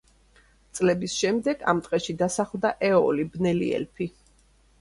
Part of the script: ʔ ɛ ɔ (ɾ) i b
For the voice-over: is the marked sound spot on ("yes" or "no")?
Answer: no